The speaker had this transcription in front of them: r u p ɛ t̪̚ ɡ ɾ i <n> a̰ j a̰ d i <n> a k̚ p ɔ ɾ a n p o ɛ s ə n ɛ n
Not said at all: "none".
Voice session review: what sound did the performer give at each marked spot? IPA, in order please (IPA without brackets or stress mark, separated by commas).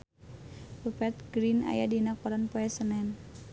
n, n